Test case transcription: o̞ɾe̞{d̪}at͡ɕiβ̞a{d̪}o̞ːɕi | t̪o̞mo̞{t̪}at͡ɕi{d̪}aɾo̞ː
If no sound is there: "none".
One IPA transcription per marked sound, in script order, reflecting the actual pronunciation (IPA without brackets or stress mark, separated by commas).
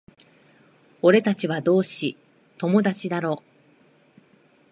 t̪, d̪, d̪, d̪